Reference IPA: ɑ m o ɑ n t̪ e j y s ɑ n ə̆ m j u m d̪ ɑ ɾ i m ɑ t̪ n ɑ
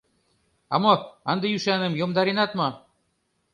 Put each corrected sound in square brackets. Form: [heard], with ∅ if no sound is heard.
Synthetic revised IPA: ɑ m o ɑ n [d̪] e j y [ʃ] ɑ n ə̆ m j [o] m d̪ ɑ ɾ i [n] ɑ t̪ [m] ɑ